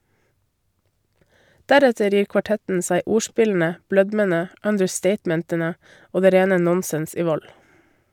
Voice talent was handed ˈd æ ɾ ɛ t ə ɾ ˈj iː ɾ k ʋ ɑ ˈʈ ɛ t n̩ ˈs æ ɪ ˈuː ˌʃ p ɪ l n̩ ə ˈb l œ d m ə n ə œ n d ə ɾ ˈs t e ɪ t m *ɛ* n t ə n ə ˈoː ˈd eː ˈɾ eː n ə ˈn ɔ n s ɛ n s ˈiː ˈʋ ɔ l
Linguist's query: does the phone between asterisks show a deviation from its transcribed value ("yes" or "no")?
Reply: no